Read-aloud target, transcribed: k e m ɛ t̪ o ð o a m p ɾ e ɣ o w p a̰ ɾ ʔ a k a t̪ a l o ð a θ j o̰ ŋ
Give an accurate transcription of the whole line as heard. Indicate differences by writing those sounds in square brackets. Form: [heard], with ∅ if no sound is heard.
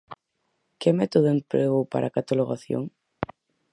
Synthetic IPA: k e m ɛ t̪ o ð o [e] m p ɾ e ɣ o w p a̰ ɾ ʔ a k a t̪ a l o [ɣ] a θ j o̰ ŋ